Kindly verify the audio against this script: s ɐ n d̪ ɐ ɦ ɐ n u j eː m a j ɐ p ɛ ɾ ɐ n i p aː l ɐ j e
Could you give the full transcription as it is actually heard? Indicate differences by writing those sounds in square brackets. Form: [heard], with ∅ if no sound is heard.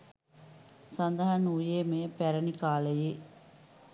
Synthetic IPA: s ɐ n d̪ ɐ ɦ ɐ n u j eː m [ɐ] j ɐ p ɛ ɾ ɐ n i [k] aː l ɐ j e